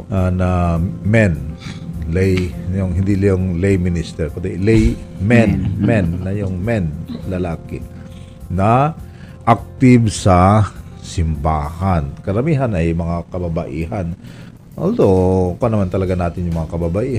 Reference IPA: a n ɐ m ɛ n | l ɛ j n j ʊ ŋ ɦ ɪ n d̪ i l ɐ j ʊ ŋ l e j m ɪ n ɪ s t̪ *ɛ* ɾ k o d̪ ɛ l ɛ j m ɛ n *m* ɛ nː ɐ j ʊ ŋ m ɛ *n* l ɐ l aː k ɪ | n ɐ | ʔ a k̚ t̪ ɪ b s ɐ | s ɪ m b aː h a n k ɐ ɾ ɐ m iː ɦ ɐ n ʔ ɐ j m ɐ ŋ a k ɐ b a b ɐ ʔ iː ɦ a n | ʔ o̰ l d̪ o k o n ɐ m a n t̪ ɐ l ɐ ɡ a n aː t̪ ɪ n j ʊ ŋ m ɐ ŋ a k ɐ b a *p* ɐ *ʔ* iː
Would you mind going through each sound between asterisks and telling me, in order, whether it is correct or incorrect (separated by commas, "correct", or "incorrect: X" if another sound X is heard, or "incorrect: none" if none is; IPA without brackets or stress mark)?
correct, correct, correct, incorrect: b, correct